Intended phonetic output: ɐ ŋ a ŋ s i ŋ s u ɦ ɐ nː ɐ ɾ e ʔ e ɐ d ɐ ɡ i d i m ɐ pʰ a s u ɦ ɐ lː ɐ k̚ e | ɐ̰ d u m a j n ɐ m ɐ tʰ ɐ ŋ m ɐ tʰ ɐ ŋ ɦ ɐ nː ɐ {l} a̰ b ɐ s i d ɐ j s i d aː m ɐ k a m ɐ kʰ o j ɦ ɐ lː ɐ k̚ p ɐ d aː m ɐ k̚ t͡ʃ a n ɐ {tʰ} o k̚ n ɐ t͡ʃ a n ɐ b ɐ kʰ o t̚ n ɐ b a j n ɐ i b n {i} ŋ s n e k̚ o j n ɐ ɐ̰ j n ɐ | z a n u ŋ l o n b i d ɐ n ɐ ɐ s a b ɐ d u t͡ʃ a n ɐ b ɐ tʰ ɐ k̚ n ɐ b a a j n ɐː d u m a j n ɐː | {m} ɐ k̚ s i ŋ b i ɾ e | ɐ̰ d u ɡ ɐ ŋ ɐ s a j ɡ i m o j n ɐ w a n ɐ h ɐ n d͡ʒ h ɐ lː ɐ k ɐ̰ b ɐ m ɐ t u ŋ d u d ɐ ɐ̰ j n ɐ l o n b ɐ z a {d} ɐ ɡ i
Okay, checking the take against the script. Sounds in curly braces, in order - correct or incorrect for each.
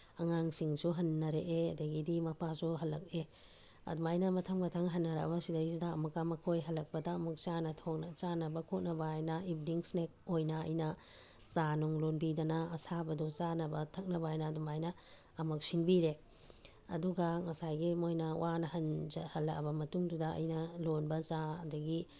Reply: incorrect: ɾ, correct, correct, correct, correct

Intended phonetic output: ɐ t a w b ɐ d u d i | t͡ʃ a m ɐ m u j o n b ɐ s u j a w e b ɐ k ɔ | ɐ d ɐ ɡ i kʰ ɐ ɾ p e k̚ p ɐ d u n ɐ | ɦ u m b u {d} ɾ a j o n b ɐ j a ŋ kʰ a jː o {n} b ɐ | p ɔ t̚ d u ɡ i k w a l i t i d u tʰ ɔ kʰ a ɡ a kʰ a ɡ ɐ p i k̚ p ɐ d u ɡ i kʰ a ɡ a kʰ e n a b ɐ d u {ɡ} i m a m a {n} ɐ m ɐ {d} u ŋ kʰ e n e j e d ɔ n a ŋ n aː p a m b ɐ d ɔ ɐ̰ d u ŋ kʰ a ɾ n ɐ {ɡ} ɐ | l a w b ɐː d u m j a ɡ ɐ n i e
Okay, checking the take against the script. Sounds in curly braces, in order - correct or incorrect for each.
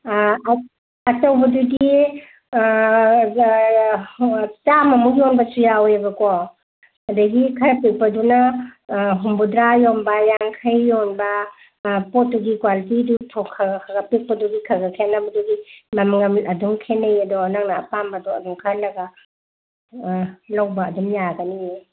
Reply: correct, correct, correct, incorrect: ŋ, correct, correct

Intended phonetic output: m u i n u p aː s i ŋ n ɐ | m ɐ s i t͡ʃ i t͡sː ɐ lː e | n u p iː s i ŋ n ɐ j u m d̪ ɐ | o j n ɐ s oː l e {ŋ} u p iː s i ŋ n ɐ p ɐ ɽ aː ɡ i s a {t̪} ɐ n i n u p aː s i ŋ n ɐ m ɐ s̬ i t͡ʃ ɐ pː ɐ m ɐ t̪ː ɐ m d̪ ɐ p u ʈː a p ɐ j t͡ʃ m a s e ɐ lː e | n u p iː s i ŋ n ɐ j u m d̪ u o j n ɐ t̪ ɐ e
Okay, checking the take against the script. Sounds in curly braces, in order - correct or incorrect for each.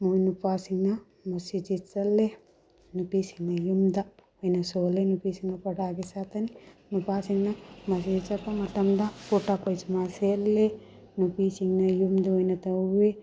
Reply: incorrect: n, correct

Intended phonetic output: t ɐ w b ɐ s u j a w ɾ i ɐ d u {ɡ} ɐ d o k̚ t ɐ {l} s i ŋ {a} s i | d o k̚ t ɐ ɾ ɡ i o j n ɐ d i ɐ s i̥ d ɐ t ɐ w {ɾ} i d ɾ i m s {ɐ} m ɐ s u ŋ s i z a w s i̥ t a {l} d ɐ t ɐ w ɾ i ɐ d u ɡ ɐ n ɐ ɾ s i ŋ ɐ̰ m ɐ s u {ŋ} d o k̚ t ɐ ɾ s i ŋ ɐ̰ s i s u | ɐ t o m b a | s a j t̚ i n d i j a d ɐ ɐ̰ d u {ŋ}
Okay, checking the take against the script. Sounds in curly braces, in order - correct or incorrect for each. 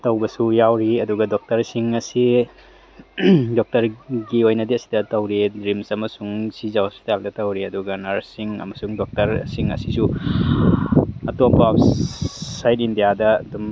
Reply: correct, incorrect: ɾ, incorrect: ɐ, correct, correct, correct, correct, incorrect: m

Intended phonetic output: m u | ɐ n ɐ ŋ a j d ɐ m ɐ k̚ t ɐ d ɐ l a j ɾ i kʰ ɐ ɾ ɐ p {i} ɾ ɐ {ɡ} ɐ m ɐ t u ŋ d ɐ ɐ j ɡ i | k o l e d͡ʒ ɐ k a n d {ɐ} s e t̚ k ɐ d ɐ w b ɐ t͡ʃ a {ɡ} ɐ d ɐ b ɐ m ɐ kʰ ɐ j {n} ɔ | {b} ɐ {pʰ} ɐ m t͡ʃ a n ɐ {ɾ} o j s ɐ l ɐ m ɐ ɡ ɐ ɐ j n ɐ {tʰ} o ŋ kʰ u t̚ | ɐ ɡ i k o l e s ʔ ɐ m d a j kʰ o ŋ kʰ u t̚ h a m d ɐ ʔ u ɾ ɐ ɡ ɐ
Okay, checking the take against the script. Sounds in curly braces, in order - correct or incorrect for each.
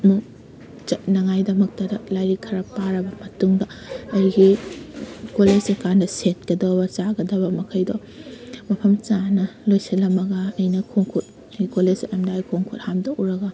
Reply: incorrect: a, incorrect: b, correct, correct, incorrect: d, incorrect: m, correct, incorrect: l, incorrect: kʰ

